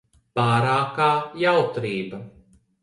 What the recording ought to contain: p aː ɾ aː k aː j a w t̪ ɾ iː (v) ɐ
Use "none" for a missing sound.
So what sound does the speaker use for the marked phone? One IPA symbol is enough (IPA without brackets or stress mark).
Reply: b